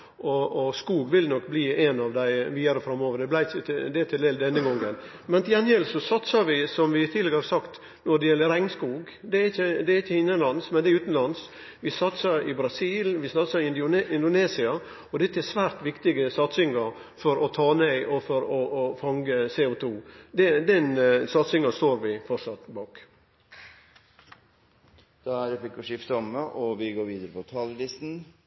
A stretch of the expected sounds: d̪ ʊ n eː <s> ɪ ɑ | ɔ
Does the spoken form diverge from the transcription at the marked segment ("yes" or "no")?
no